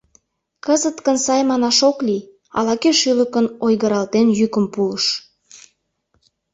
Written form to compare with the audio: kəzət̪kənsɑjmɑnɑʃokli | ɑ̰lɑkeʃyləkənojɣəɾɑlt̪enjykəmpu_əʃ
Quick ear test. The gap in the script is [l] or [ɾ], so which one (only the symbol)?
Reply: l